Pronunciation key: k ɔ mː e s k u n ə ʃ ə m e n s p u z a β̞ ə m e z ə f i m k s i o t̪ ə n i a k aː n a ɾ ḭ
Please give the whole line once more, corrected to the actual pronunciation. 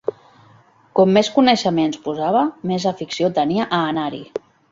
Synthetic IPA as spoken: k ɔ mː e s k u n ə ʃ ə m e n s p u z a β̞ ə m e z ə f i k s i o t̪ ə n i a ʔ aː n a ɾ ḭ